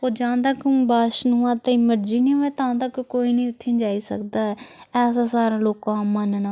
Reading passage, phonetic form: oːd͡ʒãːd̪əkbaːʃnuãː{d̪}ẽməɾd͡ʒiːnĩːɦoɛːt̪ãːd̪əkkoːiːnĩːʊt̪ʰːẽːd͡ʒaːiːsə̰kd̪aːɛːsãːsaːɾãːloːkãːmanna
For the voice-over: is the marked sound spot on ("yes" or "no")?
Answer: no